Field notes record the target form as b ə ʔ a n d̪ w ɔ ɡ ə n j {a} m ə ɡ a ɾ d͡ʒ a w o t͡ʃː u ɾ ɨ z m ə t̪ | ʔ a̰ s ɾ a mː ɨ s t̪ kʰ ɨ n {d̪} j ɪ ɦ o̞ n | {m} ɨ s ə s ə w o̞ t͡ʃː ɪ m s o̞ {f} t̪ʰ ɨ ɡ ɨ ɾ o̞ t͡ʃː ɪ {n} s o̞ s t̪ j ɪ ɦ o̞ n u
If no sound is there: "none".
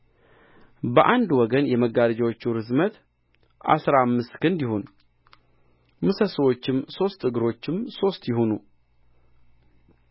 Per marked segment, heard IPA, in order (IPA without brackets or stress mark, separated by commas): ɛ, d̪, m, s, m